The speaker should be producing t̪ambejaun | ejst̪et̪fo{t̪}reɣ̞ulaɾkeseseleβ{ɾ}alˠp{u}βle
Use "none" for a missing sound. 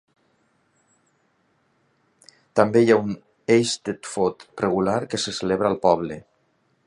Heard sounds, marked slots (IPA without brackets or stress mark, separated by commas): t̪, ɾ, ɔ